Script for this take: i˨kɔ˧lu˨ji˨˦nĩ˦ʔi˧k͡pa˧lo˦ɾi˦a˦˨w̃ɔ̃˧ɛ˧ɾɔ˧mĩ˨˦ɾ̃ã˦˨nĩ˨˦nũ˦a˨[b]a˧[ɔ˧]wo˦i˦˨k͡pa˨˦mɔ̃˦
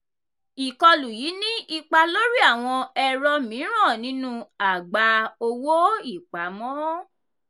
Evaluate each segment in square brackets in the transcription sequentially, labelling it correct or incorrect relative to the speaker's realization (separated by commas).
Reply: incorrect, incorrect